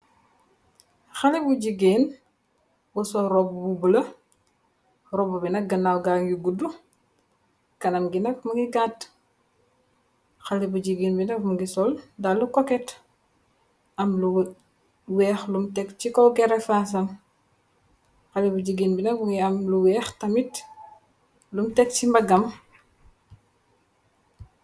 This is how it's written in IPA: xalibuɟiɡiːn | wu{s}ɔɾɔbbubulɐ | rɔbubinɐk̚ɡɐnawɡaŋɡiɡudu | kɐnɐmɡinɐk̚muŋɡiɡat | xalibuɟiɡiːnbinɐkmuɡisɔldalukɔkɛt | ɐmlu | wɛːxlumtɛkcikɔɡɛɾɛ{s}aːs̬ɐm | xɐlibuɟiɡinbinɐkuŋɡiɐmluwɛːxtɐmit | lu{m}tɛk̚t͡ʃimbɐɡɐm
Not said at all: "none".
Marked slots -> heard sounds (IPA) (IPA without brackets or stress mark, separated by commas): s, f, m